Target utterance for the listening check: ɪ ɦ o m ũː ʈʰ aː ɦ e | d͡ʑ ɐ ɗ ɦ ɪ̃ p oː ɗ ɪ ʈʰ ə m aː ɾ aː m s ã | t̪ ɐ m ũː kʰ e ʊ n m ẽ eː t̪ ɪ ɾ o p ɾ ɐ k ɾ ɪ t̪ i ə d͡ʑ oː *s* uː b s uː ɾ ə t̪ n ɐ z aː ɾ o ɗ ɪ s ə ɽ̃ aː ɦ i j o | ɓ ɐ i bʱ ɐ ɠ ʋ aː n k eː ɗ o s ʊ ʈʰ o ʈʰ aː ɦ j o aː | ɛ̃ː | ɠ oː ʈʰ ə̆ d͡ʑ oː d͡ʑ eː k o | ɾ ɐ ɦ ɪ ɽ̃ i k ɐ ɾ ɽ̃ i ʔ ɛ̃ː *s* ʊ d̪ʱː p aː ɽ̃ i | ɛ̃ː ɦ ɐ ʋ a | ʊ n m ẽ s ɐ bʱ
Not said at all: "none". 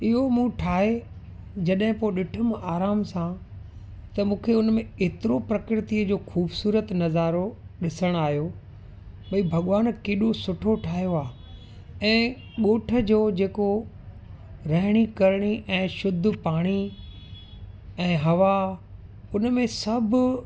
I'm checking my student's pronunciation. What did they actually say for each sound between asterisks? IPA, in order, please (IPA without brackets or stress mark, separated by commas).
x, ʃ